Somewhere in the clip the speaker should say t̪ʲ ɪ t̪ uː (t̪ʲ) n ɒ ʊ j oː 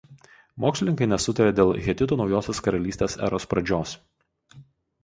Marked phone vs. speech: incorrect: none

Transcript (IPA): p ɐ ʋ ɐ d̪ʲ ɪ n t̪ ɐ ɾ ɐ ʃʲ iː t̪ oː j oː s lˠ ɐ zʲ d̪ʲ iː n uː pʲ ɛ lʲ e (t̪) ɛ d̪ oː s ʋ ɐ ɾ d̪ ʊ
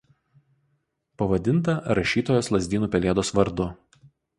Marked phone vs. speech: incorrect: none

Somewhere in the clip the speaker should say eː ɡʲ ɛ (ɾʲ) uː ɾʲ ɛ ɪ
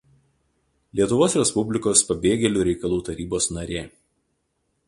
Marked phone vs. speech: incorrect: lʲ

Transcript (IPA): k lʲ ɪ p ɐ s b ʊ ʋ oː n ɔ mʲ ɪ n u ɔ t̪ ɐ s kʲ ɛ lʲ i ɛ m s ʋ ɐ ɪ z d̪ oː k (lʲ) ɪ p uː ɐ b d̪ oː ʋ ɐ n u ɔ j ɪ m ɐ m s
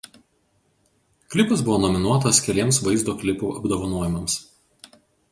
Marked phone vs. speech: correct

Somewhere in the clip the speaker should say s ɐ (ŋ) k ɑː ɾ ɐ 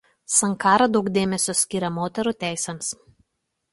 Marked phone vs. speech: correct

